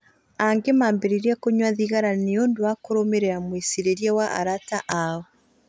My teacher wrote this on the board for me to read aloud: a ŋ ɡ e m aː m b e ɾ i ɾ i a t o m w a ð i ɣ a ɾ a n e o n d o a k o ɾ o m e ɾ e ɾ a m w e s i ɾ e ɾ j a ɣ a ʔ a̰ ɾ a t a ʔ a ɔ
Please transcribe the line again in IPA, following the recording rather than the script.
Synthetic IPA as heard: a ŋ ɡ e m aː m b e ɾ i ɾ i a k o ɲ w a ð i ɣ a ɾ a n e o n d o a k o ɾ o m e ɾ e ɾ a m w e s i ɾ e ɾ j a w a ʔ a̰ ɾ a t a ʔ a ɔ